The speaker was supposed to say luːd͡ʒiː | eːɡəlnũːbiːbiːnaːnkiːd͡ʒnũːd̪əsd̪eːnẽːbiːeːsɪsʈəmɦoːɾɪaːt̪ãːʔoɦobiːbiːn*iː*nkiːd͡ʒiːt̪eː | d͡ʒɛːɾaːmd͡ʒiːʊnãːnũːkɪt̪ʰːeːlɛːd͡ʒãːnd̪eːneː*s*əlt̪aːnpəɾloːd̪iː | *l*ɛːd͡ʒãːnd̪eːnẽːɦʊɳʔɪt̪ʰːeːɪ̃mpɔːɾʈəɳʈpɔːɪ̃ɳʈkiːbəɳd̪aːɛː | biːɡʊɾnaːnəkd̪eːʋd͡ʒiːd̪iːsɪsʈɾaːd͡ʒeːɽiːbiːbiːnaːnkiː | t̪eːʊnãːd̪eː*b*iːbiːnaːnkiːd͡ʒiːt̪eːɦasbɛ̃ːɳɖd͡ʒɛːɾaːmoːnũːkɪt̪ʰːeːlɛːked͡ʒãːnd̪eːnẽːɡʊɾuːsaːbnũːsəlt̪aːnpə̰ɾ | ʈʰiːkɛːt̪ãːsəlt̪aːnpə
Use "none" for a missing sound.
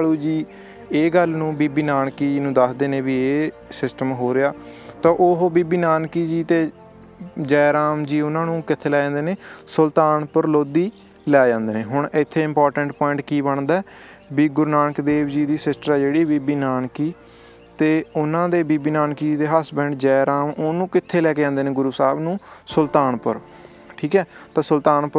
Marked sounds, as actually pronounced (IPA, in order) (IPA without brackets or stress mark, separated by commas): aː, s, l, b